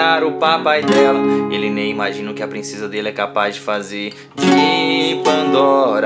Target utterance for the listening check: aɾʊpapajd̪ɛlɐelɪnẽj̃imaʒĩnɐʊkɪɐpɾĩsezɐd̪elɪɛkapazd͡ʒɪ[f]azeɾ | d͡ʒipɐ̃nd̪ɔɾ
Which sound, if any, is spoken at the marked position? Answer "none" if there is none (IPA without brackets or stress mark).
f